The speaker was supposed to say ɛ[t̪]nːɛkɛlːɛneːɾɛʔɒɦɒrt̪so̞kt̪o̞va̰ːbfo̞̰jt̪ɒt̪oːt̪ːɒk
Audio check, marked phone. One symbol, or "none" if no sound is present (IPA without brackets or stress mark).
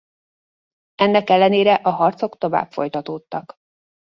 none